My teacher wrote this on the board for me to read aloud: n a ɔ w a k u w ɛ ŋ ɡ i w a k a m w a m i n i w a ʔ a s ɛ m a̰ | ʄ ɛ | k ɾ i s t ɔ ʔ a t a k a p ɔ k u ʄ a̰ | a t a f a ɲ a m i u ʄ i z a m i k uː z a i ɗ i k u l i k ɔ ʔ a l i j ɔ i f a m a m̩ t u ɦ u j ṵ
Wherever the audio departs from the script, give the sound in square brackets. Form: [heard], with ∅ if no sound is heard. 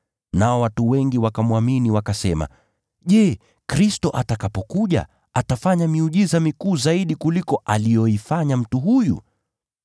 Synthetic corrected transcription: n a ɔ w a [t] u w ɛ ŋ ɡ i w a k a m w a m i n i w a [k] a s ɛ m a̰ | ʄ ɛ | k ɾ i s t ɔ ʔ a t a k a p ɔ k u ʄ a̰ | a t a f a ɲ a m i u ʄ i z a m i k uː z a i ɗ i k u l i k ɔ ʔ a l i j ɔ i f a [ɲ] a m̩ t u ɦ u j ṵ